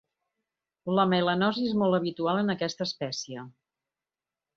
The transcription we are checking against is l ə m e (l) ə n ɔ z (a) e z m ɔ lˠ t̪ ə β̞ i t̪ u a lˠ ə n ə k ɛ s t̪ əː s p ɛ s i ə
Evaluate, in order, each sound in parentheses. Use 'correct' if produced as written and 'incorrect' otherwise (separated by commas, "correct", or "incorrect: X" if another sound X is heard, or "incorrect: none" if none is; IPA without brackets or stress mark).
correct, incorrect: i